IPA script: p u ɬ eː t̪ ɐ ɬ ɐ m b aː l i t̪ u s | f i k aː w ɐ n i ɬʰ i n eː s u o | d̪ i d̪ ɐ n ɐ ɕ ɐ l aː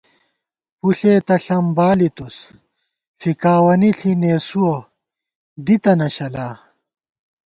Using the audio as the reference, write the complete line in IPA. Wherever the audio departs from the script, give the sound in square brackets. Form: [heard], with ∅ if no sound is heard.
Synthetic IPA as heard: p u ɬ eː t̪ ɐ ɬ ɐ m b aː l i t̪ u s | f i k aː w ɐ n i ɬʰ i n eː s u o | d̪ i [t̪] ɐ n ɐ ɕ ɐ l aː